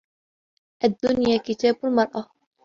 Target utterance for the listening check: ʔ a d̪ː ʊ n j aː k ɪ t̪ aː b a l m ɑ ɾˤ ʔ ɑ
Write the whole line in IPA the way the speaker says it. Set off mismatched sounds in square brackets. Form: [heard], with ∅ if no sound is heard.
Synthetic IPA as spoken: ʔ a d̪ː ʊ n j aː k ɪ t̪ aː b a l m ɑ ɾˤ ʔ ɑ